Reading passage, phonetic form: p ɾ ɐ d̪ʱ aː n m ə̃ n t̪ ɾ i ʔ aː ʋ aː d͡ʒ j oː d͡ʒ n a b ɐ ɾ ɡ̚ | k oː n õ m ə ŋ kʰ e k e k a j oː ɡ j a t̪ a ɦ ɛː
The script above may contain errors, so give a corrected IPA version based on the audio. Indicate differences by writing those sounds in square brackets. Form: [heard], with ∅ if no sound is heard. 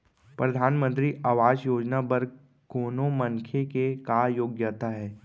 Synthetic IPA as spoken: p ɾ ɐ d̪ʱ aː n m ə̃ n t̪ ɾ i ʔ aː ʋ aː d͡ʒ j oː d͡ʒ n a b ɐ ɾ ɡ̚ | k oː n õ m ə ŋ kʰ e k e k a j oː ɡ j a t̪ a ɦ ɛː